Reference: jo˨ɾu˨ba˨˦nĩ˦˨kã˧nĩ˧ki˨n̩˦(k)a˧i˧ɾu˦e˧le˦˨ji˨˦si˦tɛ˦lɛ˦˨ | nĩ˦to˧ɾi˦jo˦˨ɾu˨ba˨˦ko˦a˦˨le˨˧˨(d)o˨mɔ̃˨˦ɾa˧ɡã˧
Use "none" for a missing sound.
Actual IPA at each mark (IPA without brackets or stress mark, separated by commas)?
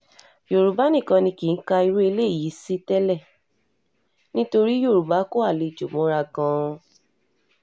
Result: k, d͡ʒ